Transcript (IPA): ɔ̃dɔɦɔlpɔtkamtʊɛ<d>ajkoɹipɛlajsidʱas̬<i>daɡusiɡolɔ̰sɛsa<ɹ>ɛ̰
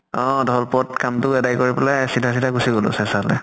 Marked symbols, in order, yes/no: yes, yes, no

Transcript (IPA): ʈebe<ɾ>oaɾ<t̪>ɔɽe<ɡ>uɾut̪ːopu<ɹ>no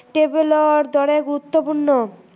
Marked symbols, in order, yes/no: no, no, yes, no

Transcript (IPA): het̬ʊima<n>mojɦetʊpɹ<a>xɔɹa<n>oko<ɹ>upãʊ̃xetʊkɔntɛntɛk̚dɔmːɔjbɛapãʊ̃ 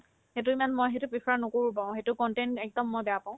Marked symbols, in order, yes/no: yes, no, yes, yes

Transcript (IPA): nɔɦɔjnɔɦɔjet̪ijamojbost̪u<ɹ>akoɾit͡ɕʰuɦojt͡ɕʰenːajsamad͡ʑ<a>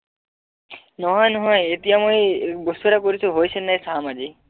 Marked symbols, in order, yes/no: no, no

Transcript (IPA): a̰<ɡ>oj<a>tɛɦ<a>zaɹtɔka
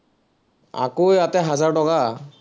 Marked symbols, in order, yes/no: no, yes, yes

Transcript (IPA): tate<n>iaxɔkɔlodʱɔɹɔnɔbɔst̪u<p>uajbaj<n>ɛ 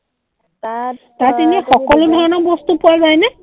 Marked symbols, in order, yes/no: yes, yes, yes

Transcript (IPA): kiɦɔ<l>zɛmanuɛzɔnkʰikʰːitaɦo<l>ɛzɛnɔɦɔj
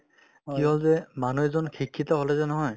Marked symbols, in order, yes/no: yes, yes

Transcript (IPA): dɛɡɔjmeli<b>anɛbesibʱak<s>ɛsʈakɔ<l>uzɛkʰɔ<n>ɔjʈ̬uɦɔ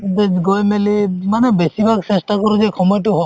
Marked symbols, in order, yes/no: no, yes, no, no

